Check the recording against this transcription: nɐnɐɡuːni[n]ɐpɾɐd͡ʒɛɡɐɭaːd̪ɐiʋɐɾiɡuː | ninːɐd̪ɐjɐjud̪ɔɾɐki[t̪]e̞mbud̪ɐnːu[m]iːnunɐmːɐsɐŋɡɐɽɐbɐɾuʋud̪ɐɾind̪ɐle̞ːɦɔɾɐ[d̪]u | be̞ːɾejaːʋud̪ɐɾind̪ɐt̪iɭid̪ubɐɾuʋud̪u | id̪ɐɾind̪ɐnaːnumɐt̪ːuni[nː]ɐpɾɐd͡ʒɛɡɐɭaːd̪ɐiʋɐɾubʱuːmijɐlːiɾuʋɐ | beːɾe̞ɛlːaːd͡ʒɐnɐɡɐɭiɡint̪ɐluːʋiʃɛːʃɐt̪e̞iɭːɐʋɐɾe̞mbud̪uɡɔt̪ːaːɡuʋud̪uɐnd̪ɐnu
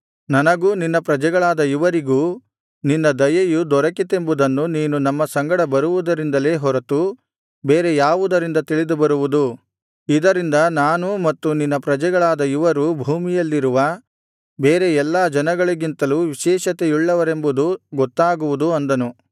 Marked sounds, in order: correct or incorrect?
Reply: incorrect: nː, correct, incorrect: n, incorrect: t̪, correct

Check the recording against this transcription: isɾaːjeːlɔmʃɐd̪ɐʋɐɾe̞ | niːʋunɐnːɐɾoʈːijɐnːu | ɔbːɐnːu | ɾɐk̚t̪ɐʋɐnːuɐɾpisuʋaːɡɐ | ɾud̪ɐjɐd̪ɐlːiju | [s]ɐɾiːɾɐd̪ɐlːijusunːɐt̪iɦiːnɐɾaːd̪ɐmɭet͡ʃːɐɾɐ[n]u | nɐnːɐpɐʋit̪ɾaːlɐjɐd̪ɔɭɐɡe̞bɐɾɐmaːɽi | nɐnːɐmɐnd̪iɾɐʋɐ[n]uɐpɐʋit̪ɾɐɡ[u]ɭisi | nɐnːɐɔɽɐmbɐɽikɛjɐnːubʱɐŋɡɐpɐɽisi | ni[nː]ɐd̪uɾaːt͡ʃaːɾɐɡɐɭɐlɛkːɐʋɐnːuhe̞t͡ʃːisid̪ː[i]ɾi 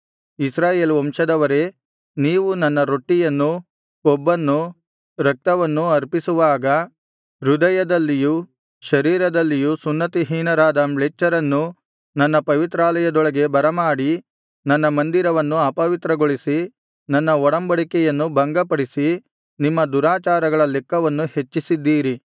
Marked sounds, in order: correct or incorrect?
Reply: incorrect: ʃ, incorrect: nː, incorrect: nː, incorrect: o, incorrect: mː, incorrect: iː

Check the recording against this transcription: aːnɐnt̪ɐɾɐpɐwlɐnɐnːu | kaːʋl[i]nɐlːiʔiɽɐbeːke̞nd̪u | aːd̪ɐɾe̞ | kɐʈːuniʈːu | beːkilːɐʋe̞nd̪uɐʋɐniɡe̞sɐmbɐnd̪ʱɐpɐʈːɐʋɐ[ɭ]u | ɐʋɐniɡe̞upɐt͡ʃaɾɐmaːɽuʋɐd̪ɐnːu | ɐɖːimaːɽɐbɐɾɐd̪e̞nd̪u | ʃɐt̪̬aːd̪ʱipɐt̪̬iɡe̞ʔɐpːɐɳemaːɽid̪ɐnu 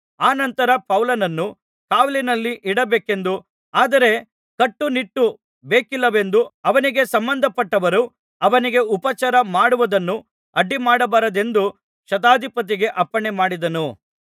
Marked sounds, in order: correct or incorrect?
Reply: correct, incorrect: ɾ

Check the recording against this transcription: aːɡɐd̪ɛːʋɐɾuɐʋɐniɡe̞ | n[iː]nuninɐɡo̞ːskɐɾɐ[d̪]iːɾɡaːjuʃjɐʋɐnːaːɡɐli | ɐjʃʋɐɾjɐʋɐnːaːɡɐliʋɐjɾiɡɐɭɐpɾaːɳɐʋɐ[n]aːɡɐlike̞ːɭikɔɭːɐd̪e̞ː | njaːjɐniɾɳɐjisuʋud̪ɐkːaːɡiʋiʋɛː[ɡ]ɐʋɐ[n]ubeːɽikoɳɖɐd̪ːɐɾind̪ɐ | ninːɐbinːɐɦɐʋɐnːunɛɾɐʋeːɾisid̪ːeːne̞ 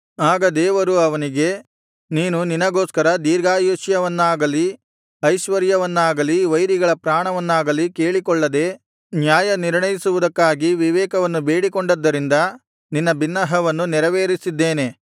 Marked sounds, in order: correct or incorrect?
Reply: correct, correct, incorrect: nː, incorrect: k, incorrect: nː

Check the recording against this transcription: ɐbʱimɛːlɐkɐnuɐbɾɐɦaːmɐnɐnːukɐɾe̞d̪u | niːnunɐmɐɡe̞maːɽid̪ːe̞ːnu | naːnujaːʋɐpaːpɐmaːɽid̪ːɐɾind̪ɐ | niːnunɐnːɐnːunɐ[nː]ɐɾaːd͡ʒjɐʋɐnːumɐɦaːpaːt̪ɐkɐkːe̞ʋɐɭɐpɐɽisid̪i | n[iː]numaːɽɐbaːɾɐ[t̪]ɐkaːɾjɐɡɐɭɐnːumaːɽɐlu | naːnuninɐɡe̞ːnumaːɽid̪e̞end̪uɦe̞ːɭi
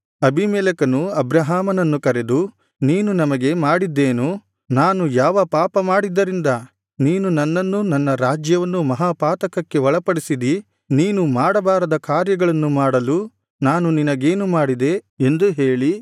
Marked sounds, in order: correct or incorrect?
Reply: correct, correct, incorrect: d̪

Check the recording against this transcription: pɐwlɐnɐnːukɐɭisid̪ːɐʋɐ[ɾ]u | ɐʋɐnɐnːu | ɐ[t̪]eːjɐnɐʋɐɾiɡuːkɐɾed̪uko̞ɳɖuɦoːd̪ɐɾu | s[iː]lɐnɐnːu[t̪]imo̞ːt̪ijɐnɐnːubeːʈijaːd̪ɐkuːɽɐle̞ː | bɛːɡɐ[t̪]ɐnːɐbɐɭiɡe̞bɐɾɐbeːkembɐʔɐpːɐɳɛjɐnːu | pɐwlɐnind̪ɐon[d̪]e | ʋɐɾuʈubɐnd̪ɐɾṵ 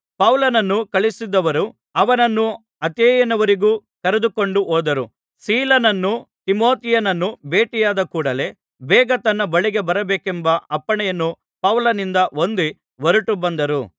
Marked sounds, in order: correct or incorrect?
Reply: correct, correct, correct, correct, correct, correct

